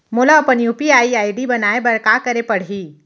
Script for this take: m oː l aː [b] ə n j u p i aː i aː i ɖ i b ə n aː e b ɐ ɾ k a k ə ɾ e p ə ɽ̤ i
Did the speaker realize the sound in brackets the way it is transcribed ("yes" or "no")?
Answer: no